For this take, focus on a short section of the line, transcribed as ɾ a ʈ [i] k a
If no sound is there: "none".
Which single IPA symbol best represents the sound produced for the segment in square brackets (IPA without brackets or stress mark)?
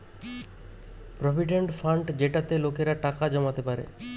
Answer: a